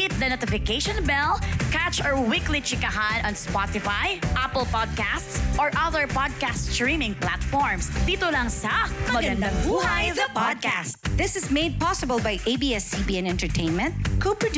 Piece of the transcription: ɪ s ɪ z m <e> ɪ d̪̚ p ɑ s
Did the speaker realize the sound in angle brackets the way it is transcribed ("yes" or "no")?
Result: yes